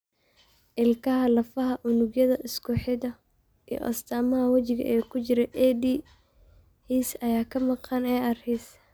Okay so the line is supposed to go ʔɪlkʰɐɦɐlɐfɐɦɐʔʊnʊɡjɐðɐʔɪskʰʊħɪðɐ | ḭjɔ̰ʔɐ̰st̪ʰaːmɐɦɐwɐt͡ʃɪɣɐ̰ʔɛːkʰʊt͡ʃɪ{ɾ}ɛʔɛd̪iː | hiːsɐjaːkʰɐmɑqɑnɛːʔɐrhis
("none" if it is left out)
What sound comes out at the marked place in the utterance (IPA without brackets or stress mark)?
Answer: ɾ